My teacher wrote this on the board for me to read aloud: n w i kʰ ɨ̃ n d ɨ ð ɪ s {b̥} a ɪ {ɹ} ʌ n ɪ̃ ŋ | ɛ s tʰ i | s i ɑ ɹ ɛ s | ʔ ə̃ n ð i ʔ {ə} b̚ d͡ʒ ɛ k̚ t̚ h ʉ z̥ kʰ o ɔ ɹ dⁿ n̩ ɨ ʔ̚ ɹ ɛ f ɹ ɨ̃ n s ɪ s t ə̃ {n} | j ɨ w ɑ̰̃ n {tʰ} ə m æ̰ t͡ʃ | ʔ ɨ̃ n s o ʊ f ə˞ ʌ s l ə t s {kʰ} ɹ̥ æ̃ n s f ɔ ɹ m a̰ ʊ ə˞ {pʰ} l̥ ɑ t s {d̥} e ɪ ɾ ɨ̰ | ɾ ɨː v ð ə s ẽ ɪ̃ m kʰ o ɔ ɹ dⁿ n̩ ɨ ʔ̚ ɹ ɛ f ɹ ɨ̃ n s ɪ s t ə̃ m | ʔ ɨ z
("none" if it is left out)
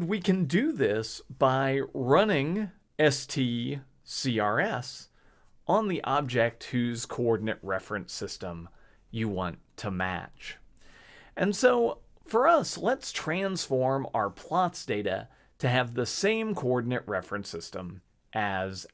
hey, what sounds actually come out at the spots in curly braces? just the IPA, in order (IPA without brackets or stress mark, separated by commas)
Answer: b̥, ɹ, ɑ, m, tʰ, tʰ, pʰ, d̥